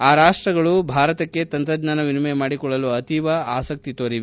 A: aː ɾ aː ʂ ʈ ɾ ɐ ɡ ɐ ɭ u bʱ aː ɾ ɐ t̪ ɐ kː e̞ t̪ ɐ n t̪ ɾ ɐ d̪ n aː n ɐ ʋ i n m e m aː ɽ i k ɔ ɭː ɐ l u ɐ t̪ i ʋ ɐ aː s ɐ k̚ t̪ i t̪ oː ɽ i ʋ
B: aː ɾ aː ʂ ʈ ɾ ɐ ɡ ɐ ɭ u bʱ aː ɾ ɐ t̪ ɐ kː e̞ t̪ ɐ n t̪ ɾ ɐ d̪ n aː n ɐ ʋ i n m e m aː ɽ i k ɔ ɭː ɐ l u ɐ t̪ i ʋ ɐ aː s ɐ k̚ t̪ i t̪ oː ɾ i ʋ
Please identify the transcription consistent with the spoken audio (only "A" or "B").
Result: B